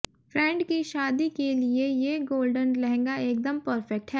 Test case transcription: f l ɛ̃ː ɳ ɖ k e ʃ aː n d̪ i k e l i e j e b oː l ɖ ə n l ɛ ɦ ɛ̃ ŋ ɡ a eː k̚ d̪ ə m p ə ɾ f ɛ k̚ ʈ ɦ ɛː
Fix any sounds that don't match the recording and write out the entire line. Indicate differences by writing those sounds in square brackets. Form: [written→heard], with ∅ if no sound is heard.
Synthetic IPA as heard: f [l→ɾ] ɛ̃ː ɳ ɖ k [e→i] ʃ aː [n→∅] d̪ i k e l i e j e [b→ɡ] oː l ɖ ə n l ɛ ɦ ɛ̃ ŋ ɡ a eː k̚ d̪ ə m p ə ɾ f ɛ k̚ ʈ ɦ ɛː

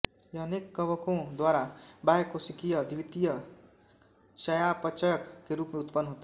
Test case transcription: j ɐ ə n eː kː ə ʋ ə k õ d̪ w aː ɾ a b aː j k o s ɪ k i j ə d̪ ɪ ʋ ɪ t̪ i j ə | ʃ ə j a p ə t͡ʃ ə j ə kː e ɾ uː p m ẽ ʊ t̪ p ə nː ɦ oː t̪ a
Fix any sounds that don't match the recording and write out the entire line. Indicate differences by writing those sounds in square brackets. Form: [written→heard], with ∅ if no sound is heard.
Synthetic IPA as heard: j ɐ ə n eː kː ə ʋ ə k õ d̪ w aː ɾ a b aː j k o s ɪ k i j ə d̪ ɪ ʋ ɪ t̪ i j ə | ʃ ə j a p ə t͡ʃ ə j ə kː e ɾ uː p m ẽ ʊ t̪ p ə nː ɦ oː t̪ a

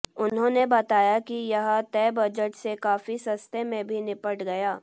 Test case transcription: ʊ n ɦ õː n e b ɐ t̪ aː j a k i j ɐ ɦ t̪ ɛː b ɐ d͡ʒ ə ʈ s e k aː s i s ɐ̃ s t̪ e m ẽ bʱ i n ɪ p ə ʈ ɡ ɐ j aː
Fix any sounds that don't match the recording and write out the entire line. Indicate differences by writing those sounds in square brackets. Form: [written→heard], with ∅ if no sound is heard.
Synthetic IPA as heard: ʊ n ɦ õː n e b ɐ t̪ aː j a k i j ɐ ɦ t̪ ɛː b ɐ d͡ʒ ə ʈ s e k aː [s→f] i s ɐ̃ s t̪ e m ẽ bʱ i n ɪ p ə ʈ ɡ ɐ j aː

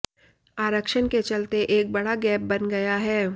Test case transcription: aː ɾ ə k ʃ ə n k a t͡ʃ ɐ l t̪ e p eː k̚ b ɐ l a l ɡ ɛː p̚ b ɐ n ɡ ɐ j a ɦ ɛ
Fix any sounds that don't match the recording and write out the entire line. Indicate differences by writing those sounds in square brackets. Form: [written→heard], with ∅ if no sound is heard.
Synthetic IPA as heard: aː ɾ ə k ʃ ə n k [a→e] t͡ʃ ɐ l t̪ e [p→ʔ] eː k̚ b ɐ [l→ɽ] a [l→∅] ɡ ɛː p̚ b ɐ n ɡ ɐ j a ɦ [ɛ→ɛː]

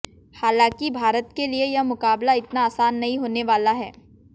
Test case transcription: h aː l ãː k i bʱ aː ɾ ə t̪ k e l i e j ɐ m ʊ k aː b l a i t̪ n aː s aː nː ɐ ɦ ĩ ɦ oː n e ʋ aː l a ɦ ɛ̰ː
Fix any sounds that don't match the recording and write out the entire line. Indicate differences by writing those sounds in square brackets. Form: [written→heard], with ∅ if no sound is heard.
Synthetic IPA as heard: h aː l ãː k i bʱ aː ɾ ə t̪ k e l i e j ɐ m ʊ k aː b l a [i→ɪ] t̪ n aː s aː nː ɐ ɦ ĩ ɦ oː n e ʋ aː l a ɦ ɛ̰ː

